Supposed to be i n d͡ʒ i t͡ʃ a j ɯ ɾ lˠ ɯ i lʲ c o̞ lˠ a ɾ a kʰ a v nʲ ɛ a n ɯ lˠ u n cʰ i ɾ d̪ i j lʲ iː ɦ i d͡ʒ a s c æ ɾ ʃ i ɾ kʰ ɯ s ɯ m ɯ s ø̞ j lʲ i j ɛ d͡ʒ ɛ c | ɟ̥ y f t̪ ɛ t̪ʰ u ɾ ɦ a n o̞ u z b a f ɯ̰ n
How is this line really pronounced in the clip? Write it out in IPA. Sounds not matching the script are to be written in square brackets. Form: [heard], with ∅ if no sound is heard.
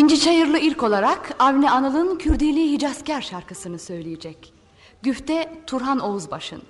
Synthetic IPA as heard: i n d͡ʒ i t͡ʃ a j ɯ ɾ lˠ ɯ i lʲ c o̞ lˠ a ɾ a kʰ a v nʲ ɛ a n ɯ lˠ [ɯ] n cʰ [y] ɾ d̪ i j lʲ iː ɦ i d͡ʒ a s c æ ɾ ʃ [a] ɾ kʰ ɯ s ɯ [n] ɯ s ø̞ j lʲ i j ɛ d͡ʒ ɛ c | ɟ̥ y f t̪ ɛ t̪ʰ u ɾ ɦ a n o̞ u z b a [ʃ] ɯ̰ n